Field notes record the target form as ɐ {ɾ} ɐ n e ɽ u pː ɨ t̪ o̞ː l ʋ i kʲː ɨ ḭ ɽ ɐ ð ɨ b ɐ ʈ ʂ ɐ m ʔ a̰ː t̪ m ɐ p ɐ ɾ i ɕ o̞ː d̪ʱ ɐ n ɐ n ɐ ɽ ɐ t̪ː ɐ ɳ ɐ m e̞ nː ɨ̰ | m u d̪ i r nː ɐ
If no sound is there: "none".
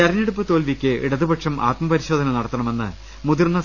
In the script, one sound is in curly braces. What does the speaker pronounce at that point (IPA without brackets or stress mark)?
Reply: ɾ